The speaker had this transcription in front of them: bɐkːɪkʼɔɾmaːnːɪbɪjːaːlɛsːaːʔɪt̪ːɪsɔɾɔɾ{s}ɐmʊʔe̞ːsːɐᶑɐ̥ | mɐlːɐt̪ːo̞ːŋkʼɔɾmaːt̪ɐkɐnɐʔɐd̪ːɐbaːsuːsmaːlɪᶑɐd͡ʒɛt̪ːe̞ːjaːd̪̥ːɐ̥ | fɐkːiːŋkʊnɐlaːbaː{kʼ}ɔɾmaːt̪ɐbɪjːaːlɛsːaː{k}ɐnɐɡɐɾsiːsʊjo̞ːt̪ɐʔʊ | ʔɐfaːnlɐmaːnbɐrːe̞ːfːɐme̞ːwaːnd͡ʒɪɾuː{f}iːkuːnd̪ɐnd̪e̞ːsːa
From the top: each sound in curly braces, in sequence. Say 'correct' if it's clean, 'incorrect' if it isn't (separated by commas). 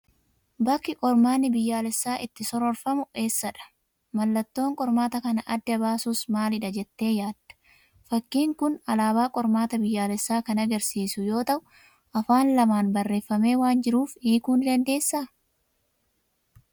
incorrect, correct, correct, correct